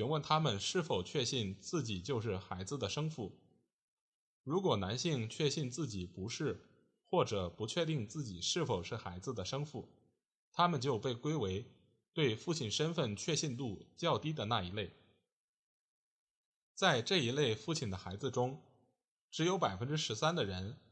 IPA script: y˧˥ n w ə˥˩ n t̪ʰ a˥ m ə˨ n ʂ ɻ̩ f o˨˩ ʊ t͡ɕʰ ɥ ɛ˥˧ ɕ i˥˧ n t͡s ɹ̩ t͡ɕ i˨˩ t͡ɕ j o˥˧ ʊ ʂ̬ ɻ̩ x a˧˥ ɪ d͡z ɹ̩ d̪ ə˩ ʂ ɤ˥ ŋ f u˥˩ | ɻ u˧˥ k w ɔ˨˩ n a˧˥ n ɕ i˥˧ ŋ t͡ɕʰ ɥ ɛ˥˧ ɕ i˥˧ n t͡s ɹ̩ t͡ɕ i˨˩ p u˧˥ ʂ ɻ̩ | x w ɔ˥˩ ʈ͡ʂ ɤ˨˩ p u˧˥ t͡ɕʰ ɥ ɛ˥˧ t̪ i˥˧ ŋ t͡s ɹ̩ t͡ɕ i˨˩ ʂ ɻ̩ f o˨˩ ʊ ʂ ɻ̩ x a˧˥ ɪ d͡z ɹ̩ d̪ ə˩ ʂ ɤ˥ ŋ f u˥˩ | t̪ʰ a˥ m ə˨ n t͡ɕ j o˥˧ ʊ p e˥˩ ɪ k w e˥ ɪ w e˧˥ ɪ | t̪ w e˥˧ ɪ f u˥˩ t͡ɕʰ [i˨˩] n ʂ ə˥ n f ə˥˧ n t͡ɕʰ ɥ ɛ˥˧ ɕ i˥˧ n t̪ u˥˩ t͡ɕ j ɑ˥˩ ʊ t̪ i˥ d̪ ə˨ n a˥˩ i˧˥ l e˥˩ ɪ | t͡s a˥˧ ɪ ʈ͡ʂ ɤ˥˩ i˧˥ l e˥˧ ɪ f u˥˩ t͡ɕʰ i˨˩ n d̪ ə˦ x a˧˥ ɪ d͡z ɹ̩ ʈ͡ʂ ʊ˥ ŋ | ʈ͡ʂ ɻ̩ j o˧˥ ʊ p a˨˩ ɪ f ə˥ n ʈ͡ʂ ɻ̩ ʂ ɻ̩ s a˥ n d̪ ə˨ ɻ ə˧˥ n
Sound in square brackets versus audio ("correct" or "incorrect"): correct